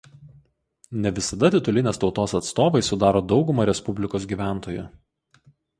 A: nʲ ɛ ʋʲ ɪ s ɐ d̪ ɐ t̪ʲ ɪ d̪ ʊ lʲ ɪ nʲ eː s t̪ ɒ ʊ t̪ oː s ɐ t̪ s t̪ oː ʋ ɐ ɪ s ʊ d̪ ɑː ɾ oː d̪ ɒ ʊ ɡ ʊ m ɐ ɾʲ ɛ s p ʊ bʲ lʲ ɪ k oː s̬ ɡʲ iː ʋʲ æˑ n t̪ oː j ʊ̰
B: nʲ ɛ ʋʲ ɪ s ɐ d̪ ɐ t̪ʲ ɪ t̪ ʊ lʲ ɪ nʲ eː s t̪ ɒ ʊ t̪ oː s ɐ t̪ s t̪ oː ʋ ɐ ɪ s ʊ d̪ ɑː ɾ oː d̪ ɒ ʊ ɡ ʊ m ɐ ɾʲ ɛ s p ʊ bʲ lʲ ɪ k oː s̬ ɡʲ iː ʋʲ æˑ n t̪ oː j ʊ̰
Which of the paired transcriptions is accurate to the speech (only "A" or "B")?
B